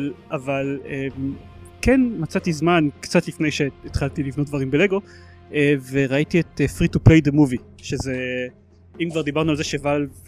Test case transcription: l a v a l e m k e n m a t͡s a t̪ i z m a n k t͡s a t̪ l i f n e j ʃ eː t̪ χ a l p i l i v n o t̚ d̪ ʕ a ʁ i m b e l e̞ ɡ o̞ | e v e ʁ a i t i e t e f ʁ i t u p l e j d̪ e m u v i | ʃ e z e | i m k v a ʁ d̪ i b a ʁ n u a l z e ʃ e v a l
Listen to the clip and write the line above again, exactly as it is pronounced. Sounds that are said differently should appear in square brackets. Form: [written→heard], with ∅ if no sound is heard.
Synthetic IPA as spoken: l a v a l e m k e n m a t͡s a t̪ i z m a n k t͡s a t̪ l i f n e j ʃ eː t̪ χ a l [p→t] i l i v n o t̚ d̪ [ʕ→v] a ʁ i m b e l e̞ ɡ o̞ | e v e ʁ a i t i e t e f ʁ i t u p l e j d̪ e m u v i | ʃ e z e | i m k v a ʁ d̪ i b a ʁ n u a l z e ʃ e v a l